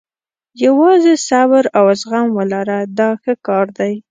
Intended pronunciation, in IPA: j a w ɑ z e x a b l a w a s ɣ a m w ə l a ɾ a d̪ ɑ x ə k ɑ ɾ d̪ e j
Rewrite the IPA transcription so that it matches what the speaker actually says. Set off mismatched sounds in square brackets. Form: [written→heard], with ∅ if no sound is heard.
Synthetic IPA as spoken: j a w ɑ z e [x→s] a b [l→ɾ] a w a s ɣ a m w ə l a ɾ a d̪ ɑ x ə k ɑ ɾ d̪ [e→a] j